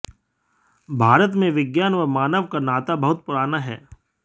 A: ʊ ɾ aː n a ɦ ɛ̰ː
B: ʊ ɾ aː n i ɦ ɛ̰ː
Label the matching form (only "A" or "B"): A